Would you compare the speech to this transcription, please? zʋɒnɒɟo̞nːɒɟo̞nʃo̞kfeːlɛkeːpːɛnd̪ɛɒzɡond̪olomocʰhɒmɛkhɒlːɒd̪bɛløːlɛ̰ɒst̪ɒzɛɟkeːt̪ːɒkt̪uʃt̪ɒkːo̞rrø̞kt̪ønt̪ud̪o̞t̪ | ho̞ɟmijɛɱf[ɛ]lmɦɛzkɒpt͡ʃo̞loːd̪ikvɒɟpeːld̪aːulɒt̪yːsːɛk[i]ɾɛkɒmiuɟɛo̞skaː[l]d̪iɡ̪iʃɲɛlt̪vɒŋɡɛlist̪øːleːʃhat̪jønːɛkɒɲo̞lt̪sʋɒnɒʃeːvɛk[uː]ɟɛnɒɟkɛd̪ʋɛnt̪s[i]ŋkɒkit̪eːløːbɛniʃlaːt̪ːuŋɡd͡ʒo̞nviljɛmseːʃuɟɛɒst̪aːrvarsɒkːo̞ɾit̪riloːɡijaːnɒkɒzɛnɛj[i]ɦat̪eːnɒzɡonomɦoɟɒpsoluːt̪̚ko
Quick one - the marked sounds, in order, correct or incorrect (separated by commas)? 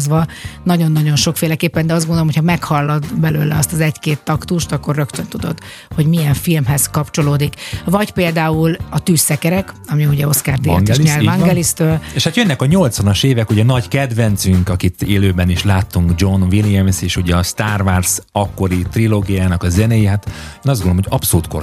incorrect, incorrect, incorrect, incorrect, incorrect, correct